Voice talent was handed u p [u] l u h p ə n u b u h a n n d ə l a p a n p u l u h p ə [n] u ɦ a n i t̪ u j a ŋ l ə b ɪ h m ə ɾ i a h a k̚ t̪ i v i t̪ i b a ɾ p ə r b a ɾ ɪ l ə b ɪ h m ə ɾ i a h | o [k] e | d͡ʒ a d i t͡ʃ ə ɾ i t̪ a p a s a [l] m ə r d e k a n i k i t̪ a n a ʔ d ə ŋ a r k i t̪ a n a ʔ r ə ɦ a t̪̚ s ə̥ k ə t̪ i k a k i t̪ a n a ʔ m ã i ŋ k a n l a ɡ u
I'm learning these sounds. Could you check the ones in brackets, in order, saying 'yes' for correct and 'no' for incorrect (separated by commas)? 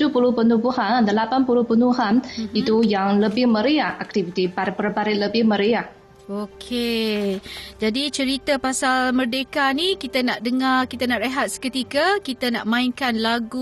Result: yes, yes, no, yes